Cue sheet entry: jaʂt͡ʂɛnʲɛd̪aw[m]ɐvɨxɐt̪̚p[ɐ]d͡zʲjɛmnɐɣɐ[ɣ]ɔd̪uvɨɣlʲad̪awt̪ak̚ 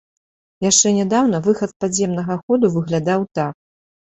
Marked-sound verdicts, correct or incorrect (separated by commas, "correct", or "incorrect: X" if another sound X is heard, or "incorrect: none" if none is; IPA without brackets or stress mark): incorrect: n, incorrect: a, incorrect: x